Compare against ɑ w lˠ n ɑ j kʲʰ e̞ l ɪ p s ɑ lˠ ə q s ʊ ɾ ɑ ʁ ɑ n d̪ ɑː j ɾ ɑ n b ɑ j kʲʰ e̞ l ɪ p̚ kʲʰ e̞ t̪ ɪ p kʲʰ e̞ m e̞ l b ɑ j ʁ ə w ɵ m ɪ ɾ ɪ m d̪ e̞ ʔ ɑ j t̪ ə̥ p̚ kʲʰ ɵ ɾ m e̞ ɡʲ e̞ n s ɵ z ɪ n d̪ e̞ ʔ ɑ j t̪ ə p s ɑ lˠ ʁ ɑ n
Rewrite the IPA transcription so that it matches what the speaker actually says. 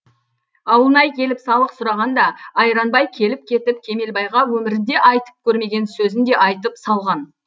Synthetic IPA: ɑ w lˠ n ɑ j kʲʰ e̞ l ɪ p s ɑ lˠ ə q s ʊ ɾ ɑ ʁ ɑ n d̪ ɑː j ɾ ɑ n b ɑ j kʲʰ e̞ l ɪ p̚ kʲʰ e̞ t̪ ɪ p kʲʰ e̞ m e̞ l b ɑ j ʁ ɑ w ɵ m ɪ ɾ ɪ n d̪ e̞ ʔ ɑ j t̪ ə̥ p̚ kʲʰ ɵ ɾ m e̞ ɡʲ e̞ n s ɵ z ɪ n d̪ e̞ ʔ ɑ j t̪ ə p s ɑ lˠ ʁ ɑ n